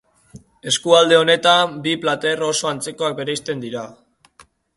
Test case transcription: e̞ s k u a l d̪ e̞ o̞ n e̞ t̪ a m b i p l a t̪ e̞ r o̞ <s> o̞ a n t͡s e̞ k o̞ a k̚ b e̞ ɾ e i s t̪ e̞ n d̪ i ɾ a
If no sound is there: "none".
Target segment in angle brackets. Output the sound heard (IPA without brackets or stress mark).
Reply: s